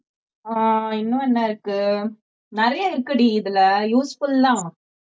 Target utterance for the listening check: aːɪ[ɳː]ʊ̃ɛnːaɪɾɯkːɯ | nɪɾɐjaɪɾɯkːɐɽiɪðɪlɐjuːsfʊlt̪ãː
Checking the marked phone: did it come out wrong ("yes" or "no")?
yes